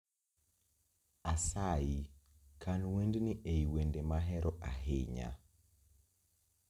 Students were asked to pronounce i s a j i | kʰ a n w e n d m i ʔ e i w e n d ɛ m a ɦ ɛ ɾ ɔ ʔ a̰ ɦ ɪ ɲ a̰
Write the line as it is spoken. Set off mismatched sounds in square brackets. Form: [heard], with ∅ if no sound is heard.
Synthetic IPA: [a] s a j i | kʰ a n w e n d [n] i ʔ e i w e n d [e] m a ɦ ɛ ɾ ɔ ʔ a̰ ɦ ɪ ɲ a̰